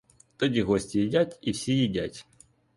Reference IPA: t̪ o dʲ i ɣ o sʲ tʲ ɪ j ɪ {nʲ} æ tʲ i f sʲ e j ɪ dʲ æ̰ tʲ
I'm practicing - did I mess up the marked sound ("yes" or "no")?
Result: yes